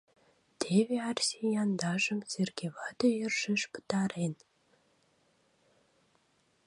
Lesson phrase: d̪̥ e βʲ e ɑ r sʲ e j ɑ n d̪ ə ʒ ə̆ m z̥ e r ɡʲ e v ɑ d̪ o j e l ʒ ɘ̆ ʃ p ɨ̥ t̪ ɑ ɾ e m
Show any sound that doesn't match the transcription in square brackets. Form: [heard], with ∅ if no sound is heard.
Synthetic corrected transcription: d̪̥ e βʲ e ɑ r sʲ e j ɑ n d̪ [ɑ] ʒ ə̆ m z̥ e r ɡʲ e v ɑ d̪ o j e [r] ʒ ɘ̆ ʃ p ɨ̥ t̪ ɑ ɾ e [n]